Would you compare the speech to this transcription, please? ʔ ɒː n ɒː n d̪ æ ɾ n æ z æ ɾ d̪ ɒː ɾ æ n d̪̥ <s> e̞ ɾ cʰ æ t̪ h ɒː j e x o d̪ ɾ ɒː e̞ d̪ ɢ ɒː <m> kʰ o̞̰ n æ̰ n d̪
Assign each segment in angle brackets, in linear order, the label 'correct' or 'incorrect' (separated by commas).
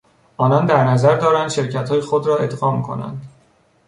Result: incorrect, correct